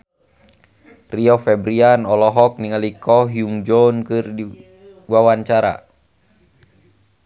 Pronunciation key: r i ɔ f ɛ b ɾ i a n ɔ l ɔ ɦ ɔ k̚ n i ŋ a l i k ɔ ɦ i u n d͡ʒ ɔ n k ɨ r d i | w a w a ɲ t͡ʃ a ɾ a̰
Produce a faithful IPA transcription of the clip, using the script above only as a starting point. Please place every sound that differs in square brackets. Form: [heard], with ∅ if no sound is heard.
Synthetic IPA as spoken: r i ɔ f ɛ b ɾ i a n ɔ l ɔ ɦ ɔ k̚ n i ŋ a l i k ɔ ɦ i u [ŋ] d͡ʒ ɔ n k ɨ r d i | w a w a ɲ t͡ʃ a ɾ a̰